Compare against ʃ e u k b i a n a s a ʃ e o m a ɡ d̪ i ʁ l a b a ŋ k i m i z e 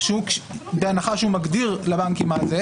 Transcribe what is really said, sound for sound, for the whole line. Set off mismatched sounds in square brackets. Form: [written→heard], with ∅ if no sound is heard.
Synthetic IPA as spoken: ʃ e u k b [i→e] a n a [s→χ] a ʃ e [o→u] m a ɡ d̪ i ʁ l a b a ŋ k i m [i→a] z e